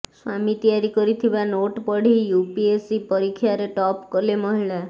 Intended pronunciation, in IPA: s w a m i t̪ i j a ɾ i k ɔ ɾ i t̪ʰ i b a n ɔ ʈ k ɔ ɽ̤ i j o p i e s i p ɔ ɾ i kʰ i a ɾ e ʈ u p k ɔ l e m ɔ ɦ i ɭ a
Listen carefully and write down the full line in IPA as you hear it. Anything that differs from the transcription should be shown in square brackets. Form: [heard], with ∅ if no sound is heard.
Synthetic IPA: s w a m i t̪ i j a ɾ i k ɔ ɾ i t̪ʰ i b a n [o] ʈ [p] ɔ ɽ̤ i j [u] p i e s i p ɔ ɾ i kʰ [j] a ɾ e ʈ [ɔ] p k ɔ l e m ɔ ɦ i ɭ a